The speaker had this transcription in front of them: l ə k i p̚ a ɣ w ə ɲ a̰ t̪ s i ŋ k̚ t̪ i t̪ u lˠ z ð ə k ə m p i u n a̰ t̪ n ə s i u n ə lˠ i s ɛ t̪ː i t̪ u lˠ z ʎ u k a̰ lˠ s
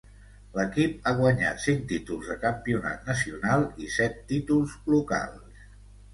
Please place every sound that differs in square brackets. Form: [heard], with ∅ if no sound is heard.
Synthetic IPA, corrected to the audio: l ə k i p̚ a ɣ w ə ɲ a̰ t̪ s i ŋ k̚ t̪ i t̪ u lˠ z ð ə k ə m p i u n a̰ t̪ n ə s i u n [a] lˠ i s ɛ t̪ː i t̪ u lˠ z [l] u k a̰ lˠ s